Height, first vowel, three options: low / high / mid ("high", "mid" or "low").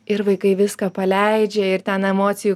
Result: high